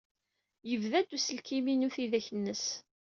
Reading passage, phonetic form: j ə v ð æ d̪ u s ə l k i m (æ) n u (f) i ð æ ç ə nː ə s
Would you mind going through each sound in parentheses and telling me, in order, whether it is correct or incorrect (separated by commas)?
incorrect, incorrect